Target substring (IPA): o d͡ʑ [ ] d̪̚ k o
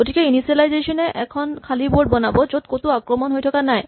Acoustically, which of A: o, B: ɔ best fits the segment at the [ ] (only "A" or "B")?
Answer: A